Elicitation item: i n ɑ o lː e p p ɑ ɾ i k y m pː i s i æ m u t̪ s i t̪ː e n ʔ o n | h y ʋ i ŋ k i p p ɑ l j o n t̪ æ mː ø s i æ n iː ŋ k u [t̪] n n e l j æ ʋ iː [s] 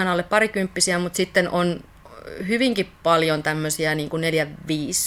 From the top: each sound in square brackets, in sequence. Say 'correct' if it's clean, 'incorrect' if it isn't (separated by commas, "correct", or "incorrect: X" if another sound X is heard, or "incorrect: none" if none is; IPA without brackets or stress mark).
incorrect: none, correct